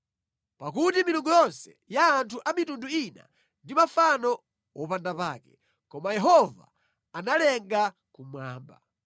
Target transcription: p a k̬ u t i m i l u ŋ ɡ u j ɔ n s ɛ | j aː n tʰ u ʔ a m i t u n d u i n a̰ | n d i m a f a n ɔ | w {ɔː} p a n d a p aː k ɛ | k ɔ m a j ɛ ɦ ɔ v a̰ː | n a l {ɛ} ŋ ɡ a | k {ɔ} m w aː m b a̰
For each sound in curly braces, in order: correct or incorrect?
incorrect: ɔ, correct, incorrect: u

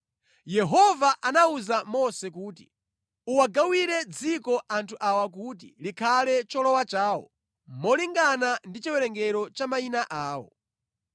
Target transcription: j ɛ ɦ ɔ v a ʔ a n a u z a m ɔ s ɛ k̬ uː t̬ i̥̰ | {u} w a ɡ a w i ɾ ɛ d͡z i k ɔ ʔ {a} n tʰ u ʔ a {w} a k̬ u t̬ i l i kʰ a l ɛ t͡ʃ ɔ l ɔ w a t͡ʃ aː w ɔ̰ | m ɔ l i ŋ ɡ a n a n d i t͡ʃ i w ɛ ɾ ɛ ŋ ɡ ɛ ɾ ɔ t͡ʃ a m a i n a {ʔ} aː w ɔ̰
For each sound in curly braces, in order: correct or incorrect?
correct, correct, correct, correct

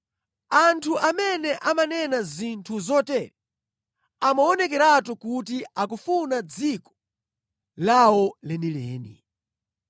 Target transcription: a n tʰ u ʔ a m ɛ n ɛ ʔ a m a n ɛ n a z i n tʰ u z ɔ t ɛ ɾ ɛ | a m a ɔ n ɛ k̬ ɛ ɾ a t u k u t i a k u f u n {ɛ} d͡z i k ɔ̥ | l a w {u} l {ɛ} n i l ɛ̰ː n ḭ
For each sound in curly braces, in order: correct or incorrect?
incorrect: a, incorrect: ɔ, correct

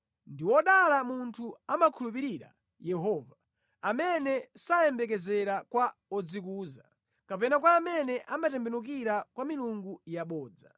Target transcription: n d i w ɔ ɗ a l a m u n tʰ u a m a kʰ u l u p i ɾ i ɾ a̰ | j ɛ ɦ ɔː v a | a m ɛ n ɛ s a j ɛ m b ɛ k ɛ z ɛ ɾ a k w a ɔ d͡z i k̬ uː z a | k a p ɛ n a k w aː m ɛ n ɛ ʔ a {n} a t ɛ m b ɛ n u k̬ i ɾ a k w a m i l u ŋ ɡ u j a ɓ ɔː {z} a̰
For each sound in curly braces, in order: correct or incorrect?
incorrect: m, incorrect: d͡z

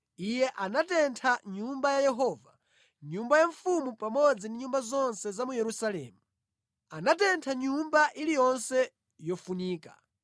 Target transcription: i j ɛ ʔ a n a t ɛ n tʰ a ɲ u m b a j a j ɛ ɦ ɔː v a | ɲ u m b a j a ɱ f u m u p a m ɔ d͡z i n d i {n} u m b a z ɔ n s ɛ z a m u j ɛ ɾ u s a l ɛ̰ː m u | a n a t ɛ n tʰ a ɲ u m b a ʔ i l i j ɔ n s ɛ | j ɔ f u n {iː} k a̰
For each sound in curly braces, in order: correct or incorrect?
incorrect: ɲ, correct

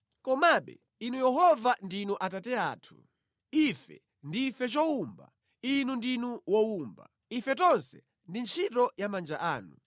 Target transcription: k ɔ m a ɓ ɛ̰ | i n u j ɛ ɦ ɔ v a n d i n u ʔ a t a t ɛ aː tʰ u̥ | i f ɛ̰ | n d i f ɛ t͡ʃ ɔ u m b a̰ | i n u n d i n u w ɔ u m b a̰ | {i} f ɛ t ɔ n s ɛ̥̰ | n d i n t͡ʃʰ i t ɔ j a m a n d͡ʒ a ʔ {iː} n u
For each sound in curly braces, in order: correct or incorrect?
correct, incorrect: aː

